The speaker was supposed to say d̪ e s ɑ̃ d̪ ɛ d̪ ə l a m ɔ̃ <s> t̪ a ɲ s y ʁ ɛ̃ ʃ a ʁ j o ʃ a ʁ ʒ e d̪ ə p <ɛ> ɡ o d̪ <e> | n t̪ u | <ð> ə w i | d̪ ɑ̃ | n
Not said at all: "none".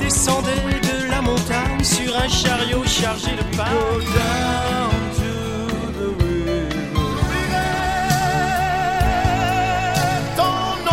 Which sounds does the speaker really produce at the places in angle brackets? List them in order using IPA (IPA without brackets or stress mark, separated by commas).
none, a, a, ð